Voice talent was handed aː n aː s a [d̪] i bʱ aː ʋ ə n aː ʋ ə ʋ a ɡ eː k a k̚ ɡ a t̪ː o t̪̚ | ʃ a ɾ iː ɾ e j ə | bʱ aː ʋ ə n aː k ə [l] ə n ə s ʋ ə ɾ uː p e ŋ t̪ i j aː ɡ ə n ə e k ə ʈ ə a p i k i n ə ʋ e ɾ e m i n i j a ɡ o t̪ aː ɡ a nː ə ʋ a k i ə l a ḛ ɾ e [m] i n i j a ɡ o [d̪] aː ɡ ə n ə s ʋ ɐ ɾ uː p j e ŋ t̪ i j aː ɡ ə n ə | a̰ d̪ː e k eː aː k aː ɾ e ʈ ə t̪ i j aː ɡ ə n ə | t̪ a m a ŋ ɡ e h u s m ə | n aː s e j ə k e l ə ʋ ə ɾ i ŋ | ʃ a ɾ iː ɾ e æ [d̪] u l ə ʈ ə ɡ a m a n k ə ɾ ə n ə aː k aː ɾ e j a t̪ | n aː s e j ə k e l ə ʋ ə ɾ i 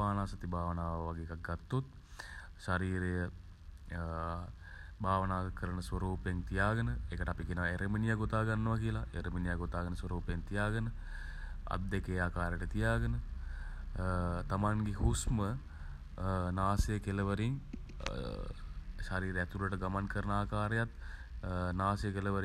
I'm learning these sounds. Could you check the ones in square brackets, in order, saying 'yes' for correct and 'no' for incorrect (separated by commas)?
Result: no, no, yes, no, no